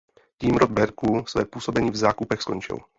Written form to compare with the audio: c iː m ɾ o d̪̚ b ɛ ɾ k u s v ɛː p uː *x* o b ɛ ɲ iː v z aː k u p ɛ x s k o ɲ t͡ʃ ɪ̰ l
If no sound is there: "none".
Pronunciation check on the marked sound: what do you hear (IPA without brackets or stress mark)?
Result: s